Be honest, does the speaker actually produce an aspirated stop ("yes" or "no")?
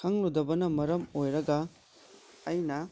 no